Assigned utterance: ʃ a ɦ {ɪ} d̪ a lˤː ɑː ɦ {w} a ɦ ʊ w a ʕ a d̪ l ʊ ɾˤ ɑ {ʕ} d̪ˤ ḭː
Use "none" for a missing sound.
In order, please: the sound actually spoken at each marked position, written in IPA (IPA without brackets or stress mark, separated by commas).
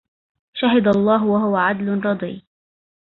ɪ, w, none